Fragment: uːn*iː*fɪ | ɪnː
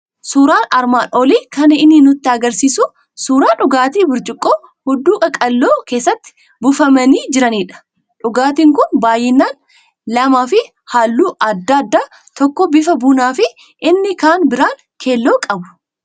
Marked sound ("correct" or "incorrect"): incorrect